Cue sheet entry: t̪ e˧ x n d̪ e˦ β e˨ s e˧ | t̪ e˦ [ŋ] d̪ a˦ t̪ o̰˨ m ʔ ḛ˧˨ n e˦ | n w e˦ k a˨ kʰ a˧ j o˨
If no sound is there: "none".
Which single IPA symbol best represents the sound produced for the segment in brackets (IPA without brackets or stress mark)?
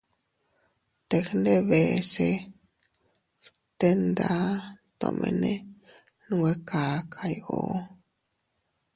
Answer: n